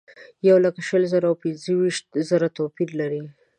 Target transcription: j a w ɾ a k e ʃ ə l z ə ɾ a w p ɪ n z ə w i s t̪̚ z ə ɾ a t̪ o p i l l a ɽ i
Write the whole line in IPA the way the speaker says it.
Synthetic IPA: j a w l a k a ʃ ə l z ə ɾ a w p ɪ n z ə w i ʃ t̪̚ z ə ɾ a t̪ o p i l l a ɾ i